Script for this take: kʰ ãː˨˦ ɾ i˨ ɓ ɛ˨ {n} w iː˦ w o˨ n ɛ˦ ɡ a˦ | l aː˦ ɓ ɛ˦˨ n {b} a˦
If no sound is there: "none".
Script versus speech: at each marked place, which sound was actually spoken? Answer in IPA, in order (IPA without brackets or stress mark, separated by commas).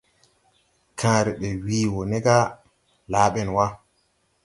none, w